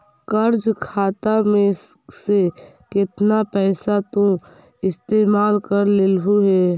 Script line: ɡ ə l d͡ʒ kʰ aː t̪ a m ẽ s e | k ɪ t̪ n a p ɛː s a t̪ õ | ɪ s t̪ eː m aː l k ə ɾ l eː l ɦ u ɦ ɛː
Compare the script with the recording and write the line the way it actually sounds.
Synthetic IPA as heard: k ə ɾ d͡ʒ kʰ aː t̪ a m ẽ s e | k ɪ t̪ n a p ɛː s a t̪ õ | ɪ s t̪ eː m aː l k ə ɾ l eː l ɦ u ɦ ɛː